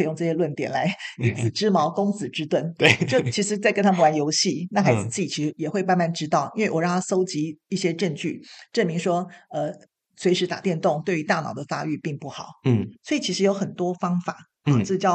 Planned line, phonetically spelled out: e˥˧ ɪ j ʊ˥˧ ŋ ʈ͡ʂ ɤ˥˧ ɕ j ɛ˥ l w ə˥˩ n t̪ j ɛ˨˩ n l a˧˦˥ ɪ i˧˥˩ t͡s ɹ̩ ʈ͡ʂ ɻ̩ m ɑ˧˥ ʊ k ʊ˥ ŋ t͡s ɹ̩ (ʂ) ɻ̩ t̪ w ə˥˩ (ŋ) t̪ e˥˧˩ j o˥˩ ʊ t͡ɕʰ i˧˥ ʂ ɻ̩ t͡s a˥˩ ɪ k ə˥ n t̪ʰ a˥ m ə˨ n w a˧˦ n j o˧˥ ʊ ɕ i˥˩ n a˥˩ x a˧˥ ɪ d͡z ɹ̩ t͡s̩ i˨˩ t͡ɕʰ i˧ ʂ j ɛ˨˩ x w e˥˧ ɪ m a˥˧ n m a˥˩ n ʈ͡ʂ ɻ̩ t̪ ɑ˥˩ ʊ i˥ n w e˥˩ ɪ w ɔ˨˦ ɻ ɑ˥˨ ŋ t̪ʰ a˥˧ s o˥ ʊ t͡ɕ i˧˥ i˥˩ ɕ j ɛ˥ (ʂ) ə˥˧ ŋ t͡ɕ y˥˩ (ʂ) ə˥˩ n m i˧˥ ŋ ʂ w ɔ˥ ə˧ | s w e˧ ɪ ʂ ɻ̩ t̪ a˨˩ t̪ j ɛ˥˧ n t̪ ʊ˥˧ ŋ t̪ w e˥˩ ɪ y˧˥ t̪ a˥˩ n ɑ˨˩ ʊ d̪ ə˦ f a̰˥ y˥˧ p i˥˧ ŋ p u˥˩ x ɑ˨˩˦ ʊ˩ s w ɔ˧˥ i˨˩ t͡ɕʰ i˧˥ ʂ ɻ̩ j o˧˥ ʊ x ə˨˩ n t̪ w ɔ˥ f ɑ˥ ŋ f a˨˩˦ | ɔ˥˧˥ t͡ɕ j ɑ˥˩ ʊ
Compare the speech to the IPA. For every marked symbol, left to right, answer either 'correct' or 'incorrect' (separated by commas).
incorrect, incorrect, incorrect, incorrect